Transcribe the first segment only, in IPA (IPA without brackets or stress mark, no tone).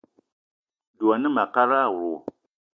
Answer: d